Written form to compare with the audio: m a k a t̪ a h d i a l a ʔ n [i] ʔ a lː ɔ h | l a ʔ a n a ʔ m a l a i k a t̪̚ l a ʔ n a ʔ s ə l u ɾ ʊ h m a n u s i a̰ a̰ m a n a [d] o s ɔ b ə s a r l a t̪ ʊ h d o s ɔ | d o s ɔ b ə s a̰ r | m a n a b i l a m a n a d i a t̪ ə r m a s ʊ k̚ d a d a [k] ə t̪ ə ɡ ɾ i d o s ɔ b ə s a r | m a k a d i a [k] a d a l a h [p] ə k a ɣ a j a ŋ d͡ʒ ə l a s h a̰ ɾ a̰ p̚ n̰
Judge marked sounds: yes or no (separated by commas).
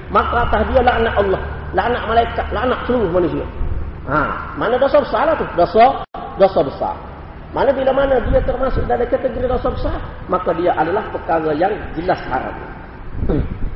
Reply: no, yes, yes, no, yes